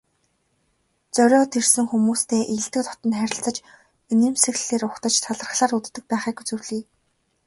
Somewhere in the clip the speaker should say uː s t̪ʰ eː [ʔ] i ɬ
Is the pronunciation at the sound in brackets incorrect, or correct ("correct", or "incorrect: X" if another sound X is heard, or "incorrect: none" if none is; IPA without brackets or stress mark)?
correct